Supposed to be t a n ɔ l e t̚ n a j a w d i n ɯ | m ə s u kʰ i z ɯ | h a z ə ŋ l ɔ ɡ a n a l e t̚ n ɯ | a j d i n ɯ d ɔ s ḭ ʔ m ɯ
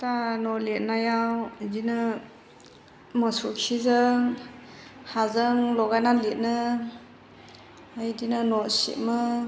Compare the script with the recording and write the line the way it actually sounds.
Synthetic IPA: t a n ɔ l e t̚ n a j a w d i n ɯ | m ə s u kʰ i z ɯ | h a z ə ŋ l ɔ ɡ a n a l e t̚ n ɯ | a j d i n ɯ n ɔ s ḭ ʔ m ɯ